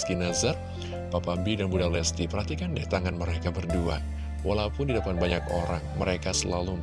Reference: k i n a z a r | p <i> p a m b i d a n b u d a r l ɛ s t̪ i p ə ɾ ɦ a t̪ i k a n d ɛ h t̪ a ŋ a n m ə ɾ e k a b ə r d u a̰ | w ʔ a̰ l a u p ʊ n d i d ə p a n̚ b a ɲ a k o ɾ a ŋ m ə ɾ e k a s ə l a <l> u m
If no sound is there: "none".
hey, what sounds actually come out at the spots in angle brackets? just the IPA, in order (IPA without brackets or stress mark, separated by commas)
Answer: a, l